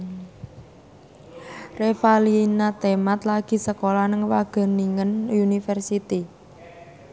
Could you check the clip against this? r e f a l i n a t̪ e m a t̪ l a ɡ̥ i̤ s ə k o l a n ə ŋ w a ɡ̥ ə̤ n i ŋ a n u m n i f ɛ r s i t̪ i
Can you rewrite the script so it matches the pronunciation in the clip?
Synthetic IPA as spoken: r e f a l i n a t̪ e m a t̪ l a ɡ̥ i̤ s ə k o l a n ə ŋ w a ɡ̥ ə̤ n i ŋ ə n u n i f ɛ r s i t̪ i